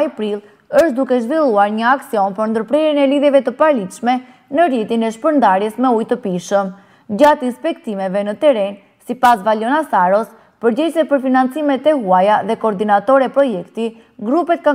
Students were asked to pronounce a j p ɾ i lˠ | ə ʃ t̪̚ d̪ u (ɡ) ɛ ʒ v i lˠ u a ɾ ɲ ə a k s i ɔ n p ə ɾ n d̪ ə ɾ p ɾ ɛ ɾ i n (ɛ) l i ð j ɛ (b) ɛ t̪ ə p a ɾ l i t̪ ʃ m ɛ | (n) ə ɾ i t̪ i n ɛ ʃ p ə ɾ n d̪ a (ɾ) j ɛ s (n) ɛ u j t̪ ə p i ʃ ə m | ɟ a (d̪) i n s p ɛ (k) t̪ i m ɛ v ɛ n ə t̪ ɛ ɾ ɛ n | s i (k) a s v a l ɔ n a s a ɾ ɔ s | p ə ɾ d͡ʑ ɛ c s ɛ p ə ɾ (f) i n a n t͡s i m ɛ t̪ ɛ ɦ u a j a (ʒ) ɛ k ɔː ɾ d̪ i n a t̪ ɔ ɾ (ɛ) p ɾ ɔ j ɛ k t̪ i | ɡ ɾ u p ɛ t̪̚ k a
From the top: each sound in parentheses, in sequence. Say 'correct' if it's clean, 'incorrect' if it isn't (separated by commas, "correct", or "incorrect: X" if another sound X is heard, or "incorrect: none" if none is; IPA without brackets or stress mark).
incorrect: k, correct, incorrect: v, correct, correct, incorrect: m, incorrect: t̪, correct, incorrect: p, correct, incorrect: ð, correct